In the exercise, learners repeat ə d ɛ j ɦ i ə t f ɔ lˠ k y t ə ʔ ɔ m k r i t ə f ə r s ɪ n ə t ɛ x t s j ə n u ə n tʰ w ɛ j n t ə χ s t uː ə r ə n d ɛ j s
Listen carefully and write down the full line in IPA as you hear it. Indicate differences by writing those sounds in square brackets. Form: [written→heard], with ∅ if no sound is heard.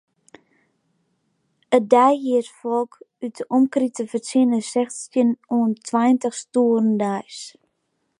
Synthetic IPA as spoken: ə d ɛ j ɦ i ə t f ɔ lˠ k y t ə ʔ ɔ m k r i t ə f ə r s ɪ n ə [t→s] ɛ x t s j ə n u ə n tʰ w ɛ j n t ə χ s t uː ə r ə n d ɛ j s